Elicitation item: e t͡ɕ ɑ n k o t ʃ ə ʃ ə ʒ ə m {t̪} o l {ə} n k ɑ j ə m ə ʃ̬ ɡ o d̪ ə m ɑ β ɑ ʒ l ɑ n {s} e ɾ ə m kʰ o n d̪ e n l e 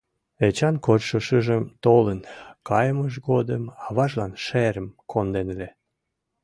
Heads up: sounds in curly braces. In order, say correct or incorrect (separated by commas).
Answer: correct, correct, incorrect